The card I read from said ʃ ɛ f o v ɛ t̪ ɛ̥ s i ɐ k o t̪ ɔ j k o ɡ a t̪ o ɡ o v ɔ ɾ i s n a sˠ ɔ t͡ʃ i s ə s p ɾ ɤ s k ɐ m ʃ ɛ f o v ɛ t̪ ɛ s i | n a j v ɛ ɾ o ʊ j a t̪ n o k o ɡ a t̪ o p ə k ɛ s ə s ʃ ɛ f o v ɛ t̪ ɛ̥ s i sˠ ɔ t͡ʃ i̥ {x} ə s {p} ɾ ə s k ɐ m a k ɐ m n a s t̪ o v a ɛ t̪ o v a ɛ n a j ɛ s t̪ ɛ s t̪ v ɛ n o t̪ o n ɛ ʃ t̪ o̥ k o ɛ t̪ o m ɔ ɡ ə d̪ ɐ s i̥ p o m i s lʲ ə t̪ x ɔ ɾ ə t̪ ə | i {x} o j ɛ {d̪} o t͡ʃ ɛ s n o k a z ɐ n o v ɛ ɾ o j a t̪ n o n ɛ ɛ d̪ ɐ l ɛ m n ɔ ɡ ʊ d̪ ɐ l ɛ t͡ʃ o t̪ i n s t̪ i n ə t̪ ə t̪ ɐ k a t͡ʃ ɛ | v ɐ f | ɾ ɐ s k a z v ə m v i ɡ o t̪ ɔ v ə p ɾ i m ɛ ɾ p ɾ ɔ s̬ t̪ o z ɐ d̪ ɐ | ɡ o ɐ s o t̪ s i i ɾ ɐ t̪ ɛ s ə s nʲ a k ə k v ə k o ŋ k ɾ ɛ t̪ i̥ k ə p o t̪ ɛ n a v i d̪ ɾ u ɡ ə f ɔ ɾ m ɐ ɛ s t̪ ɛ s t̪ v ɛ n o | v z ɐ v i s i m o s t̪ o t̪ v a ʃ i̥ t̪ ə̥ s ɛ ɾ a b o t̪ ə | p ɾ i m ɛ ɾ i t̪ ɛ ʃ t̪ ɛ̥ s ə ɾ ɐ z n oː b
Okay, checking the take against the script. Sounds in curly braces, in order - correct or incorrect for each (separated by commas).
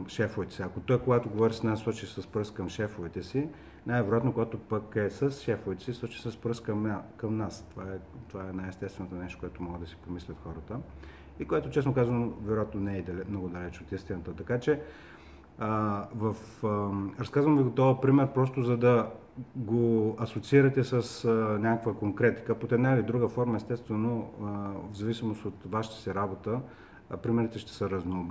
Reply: incorrect, correct, incorrect, incorrect